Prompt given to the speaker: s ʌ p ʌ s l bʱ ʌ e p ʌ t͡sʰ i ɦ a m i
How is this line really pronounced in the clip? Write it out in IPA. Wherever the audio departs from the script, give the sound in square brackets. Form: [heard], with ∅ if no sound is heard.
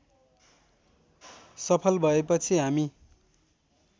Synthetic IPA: s ʌ [pʰ] ʌ [∅] l bʱ ʌ e p ʌ t͡sʰ i ɦ a m i